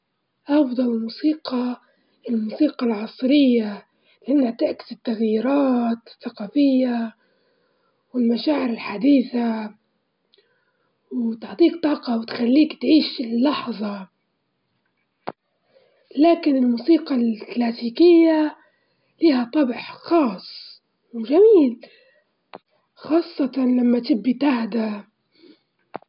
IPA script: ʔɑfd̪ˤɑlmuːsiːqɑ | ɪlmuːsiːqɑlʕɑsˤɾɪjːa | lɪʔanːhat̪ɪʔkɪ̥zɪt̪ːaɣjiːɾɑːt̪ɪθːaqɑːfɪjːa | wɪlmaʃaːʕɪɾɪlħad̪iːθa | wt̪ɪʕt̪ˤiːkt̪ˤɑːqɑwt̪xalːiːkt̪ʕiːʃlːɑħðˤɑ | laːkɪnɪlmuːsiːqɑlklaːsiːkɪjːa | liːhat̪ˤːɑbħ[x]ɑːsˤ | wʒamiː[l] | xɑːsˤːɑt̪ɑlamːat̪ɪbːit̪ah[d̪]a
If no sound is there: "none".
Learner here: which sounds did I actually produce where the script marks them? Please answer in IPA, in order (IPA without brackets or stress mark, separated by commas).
x, l, d̪